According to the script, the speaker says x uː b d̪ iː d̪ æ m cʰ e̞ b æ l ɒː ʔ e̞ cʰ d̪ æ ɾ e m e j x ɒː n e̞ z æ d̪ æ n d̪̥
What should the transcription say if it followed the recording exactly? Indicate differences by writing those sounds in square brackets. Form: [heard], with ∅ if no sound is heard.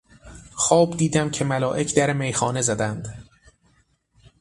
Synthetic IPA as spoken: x [ɒː] b d̪ iː d̪ æ m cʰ e̞ [m] æ l ɒː ʔ e̞ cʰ d̪ æ ɾ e m e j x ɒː n e̞ z æ d̪ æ n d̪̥